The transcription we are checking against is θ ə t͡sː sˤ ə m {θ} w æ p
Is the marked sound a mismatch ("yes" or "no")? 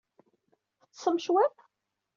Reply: yes